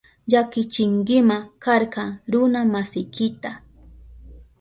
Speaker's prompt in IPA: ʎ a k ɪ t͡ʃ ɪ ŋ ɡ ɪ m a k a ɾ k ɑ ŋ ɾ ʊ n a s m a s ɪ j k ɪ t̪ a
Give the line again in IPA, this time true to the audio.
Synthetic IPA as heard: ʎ a k ɪ t͡ʃ ɪ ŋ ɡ ɪ m a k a ɾ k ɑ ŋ ɾ ʊ n a m a s ɪ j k ɪ t̪ a